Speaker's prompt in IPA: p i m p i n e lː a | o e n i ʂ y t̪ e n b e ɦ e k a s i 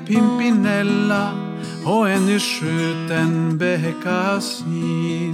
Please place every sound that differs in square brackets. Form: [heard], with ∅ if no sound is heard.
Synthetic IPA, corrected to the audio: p i m p i n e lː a | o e n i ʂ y t̪ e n b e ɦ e k a s i